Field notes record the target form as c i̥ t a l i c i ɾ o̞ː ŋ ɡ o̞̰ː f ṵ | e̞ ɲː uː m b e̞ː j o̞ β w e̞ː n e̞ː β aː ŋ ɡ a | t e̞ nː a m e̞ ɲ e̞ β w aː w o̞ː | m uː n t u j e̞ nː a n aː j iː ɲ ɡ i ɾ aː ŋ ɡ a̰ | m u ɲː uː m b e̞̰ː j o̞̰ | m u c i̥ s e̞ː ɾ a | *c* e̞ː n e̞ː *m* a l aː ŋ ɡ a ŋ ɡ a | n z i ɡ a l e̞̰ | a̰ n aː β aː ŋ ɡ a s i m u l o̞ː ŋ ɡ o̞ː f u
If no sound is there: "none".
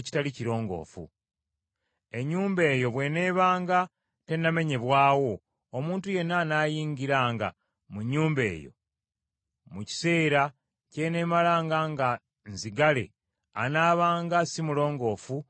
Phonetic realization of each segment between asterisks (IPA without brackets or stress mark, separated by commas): c, m